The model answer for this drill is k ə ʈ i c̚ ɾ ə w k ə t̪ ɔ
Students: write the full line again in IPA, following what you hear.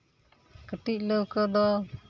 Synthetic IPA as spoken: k ə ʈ i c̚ l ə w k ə d̪ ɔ